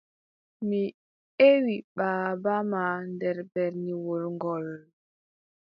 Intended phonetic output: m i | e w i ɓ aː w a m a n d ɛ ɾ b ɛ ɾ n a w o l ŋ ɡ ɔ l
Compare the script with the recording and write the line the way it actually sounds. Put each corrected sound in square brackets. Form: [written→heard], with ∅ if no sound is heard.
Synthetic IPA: m i | e w i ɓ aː [w→b] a m a n d ɛ ɾ b ɛ ɾ n [a→i] w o l ŋ ɡ ɔ l